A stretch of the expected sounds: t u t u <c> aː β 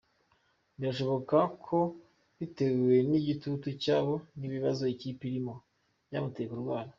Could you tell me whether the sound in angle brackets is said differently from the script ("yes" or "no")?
no